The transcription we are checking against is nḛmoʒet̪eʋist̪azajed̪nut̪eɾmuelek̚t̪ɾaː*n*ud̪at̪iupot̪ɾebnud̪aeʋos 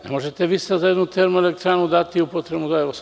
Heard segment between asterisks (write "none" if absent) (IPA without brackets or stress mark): n